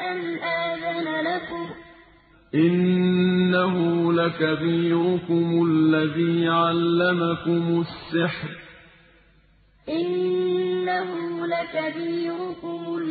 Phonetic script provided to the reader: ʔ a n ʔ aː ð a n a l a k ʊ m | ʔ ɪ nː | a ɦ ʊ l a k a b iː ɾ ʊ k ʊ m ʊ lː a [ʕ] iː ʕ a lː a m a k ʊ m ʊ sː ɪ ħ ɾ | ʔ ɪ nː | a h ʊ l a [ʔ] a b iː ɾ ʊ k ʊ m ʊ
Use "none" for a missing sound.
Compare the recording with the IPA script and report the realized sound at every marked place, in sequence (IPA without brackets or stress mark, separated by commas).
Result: ð, k